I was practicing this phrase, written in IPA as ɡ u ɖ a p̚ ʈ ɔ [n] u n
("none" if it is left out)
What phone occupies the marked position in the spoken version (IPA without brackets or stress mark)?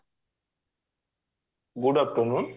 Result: n